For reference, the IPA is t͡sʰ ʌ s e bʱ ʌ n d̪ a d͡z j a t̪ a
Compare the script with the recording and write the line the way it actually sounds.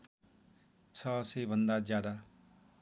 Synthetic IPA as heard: t͡sʰ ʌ s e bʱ ʌ n d̪ a d͡z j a d̪ a